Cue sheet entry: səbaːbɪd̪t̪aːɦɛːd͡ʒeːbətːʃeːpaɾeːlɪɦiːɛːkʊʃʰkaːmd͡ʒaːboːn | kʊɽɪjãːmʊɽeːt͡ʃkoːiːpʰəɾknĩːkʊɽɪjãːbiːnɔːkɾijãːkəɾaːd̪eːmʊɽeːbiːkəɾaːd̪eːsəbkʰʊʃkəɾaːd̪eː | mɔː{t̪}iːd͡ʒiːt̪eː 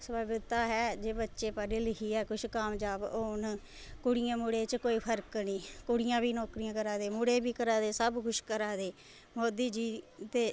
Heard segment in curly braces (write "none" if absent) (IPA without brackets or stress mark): d̪